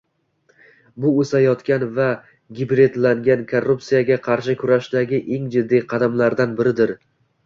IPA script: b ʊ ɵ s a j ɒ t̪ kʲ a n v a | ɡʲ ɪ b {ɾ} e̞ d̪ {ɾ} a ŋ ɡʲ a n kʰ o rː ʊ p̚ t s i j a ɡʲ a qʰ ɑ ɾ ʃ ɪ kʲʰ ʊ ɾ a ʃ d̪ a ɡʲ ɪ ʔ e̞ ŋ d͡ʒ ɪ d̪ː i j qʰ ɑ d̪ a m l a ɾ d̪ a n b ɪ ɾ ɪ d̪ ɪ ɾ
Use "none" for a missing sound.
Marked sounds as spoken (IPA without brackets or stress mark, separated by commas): ɾ, l